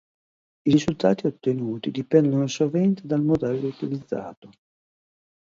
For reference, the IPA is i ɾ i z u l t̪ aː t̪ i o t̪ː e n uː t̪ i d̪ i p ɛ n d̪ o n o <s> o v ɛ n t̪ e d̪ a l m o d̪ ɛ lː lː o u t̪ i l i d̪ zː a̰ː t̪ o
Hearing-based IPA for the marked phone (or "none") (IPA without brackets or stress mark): s